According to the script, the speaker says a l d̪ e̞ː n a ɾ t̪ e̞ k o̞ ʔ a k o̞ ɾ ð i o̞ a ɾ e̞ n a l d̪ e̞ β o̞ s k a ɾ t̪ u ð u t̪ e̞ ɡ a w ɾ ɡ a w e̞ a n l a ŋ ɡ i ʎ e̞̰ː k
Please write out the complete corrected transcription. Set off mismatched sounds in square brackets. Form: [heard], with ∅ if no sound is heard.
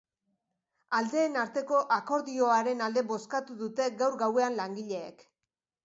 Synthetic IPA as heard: a l d̪ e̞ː n a ɾ t̪ e̞ k o̞ ʔ a k o̞ ɾ ð i o̞ a ɾ e̞ n a l d̪ e̞ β o̞ s k a [∅] t̪ u ð u t̪ e̞ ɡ a w ɾ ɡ a w e̞ a n l a ŋ ɡ i ʎ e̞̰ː k